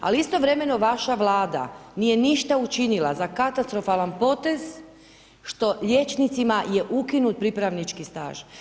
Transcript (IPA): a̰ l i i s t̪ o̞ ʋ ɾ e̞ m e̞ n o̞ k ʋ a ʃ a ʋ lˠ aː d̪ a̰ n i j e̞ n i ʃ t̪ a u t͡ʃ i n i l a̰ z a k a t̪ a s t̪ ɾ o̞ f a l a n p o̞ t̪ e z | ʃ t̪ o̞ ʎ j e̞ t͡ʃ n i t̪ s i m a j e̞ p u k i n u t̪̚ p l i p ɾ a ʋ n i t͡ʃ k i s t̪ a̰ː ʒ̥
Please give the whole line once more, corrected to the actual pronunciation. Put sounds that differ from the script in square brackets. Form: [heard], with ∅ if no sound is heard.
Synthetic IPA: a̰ l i i s t̪ o̞ ʋ ɾ e̞ m e̞ n o̞ [∅] ʋ a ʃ a ʋ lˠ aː d̪ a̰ n i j e̞ n i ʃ t̪ a u t͡ʃ i n i l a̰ z a k a t̪ a s t̪ ɾ o̞ f a l a n p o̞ t̪ e z | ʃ t̪ o̞ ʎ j e̞ t͡ʃ n i t̪ s i m a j e̞ [ʔ] u k i n u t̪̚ p [ɾ] i p ɾ a ʋ n i t͡ʃ k i s t̪ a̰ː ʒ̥